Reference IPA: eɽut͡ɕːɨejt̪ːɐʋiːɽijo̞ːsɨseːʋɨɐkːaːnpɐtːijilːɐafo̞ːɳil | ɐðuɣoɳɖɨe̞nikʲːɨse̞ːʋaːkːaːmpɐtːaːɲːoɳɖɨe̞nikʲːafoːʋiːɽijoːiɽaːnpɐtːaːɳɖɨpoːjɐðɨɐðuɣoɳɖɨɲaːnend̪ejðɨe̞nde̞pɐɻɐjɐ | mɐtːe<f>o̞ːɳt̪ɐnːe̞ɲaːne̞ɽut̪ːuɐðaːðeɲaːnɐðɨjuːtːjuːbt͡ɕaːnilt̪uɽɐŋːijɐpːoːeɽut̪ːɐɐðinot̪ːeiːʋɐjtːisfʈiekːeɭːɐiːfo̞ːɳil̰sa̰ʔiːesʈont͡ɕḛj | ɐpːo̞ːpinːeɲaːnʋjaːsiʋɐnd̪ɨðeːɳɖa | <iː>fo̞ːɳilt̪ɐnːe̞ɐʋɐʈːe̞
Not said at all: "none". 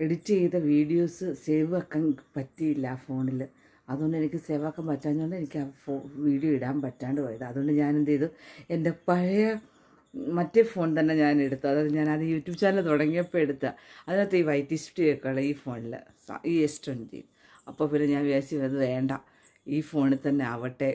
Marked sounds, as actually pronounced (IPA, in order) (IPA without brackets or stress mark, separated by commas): f, iː